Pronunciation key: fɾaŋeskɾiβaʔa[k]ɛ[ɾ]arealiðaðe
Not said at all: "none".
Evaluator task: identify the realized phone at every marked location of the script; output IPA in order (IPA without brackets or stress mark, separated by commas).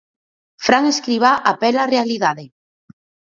p, l